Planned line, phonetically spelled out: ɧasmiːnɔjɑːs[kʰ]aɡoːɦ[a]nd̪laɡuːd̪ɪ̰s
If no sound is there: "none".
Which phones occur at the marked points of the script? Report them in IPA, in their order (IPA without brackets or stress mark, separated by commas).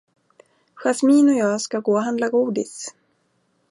k, a